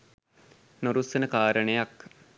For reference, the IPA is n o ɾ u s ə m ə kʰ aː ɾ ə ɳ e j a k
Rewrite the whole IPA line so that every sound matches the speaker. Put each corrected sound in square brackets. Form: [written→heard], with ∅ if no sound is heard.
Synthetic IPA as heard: n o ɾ u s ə [m→n] ə [kʰ→k] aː ɾ ə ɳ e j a k